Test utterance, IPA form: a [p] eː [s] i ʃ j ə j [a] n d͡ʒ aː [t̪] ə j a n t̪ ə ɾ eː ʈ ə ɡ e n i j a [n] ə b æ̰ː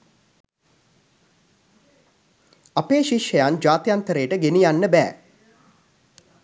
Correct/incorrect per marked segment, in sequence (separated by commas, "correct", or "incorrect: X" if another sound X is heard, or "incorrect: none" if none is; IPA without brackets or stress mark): correct, incorrect: ʃ, correct, correct, incorrect: nː